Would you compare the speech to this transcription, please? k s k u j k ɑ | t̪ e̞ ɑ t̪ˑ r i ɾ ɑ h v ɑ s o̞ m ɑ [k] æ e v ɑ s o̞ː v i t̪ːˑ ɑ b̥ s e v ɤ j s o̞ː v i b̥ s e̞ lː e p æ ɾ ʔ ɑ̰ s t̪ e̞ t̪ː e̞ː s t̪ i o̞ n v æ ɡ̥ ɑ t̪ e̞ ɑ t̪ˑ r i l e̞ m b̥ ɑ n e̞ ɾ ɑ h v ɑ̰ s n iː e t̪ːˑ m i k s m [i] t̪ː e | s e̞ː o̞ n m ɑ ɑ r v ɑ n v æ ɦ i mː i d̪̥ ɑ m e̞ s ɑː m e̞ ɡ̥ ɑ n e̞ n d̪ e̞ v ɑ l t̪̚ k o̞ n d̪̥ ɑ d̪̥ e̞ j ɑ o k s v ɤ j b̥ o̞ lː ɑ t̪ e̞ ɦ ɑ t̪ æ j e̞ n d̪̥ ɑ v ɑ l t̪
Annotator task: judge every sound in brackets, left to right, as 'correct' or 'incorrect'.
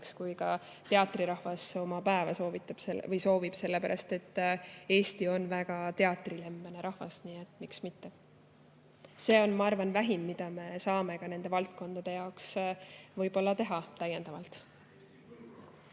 incorrect, correct

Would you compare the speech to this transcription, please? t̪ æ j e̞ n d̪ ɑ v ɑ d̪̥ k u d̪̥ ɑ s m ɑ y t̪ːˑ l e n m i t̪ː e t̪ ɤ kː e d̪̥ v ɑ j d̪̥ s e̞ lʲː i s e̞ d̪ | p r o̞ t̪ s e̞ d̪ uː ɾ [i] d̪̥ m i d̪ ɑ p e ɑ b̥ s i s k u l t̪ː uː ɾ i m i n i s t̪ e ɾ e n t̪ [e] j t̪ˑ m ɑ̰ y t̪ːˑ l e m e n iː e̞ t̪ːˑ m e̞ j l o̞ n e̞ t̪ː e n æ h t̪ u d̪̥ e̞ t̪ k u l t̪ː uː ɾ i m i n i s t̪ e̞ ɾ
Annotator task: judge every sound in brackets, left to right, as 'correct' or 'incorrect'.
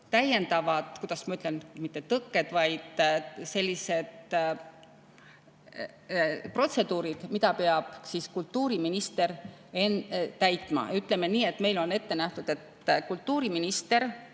correct, incorrect

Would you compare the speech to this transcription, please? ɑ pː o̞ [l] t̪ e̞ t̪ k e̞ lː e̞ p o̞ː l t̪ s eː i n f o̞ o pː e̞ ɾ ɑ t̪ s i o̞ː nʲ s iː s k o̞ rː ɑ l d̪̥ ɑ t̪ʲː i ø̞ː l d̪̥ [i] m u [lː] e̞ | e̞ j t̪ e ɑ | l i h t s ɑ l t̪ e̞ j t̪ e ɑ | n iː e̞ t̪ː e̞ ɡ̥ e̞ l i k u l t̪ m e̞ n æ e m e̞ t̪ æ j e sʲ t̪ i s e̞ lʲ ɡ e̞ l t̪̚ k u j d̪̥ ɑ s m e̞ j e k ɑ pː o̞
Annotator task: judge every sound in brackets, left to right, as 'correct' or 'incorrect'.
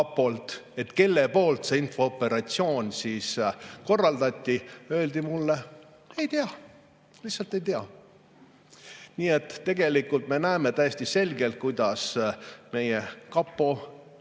correct, correct, correct

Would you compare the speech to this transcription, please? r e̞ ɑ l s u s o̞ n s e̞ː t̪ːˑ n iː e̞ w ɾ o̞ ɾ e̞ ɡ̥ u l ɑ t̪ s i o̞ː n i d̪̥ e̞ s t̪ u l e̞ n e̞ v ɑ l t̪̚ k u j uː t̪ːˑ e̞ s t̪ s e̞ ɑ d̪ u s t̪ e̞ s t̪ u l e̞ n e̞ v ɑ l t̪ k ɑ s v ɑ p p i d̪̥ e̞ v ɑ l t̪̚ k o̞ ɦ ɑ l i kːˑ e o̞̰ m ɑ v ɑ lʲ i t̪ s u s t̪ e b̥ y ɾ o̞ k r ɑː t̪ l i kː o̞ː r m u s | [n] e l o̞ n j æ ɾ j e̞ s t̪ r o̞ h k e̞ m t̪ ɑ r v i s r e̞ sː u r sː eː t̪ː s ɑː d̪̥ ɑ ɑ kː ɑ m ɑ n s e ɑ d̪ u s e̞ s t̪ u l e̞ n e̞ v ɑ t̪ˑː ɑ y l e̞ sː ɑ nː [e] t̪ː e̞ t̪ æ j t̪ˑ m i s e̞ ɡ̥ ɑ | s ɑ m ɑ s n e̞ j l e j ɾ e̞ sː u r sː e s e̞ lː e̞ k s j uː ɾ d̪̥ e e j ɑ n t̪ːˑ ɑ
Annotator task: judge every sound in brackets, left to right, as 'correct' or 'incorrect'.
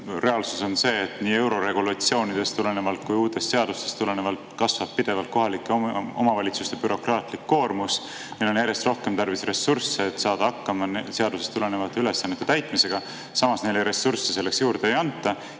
correct, correct

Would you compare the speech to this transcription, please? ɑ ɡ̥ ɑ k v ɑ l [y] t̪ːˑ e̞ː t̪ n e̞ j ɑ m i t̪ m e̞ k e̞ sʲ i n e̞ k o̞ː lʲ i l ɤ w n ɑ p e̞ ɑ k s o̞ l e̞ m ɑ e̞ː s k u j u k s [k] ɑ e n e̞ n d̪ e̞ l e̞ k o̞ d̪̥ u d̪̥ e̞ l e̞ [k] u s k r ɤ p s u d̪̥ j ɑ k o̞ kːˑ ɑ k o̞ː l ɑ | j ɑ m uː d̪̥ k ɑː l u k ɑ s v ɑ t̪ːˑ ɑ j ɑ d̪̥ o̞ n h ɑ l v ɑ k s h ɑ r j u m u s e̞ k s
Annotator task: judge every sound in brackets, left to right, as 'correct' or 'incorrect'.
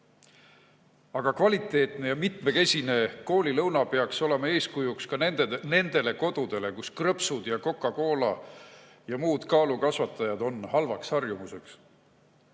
incorrect, correct, correct

